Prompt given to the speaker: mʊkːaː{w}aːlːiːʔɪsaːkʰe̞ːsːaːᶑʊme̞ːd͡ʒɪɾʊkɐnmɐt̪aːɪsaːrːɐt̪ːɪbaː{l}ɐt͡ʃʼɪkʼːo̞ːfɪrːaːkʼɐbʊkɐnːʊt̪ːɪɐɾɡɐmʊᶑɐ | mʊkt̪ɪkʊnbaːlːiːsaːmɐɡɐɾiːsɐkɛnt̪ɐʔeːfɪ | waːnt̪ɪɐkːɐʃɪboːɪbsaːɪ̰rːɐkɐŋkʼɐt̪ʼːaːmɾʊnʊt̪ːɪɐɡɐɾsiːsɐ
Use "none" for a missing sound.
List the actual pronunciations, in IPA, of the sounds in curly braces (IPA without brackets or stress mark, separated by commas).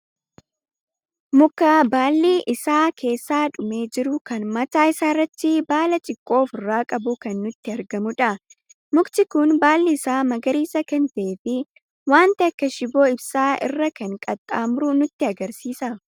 b, l